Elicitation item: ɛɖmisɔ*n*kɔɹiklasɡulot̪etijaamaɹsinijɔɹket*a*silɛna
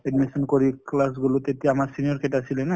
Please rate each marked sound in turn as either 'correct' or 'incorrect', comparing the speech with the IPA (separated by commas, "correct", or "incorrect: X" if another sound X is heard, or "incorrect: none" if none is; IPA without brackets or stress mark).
correct, correct